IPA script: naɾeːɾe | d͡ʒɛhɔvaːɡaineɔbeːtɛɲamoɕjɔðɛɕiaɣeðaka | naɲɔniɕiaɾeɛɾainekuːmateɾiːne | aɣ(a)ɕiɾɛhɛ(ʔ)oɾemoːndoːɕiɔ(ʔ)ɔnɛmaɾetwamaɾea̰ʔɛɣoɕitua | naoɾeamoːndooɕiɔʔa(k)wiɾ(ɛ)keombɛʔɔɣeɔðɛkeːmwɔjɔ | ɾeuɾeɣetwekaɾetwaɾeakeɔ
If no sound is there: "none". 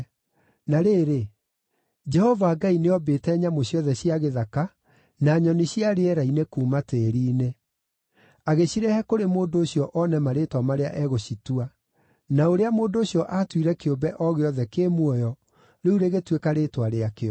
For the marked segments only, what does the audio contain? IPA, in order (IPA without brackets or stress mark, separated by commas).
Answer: e, k, ʔ, t, ɛ